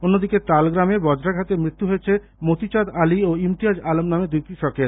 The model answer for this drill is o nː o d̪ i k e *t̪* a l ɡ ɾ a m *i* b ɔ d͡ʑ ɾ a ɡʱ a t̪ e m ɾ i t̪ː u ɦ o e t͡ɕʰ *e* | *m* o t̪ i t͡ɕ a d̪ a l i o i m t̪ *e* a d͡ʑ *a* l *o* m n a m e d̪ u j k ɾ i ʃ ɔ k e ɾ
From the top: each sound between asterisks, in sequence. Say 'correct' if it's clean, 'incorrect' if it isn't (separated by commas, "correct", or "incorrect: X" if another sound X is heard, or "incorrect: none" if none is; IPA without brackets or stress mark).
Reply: correct, incorrect: e, correct, correct, incorrect: i, correct, correct